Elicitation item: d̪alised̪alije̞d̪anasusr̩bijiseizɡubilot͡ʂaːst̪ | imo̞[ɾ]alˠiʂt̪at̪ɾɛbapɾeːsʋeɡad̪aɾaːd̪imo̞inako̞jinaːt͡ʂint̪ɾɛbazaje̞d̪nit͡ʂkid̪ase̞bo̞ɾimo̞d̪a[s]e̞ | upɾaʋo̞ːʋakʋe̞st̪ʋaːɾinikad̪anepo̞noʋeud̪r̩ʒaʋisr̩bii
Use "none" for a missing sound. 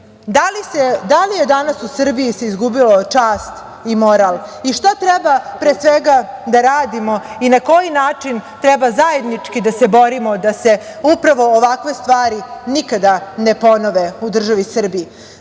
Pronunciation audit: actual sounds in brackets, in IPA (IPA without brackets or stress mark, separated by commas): ɾ, s